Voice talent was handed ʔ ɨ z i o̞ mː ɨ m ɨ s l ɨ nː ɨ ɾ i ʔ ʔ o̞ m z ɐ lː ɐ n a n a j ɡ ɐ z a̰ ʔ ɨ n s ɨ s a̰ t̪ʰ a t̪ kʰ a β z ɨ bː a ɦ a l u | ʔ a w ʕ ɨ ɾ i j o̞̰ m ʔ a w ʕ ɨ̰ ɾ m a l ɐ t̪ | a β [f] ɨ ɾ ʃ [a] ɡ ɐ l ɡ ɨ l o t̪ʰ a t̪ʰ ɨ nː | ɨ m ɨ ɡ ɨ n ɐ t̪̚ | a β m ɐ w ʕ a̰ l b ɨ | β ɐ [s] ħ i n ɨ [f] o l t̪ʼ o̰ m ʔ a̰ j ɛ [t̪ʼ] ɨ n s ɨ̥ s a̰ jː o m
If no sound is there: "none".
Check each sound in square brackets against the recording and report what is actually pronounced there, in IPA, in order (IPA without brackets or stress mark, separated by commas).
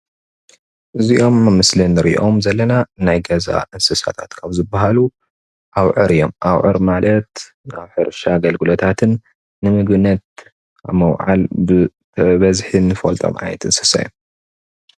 ħ, a, z, f, t̪